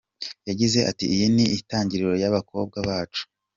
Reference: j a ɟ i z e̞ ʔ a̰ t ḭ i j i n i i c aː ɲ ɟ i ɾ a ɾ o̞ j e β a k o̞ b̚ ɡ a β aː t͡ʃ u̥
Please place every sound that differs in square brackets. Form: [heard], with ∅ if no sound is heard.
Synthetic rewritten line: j a ɟ i z e̞ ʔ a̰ t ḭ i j i n i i [t] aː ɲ ɟ i ɾ [i] ɾ o̞ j [a] β a k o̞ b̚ ɡ a β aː t͡ʃ u̥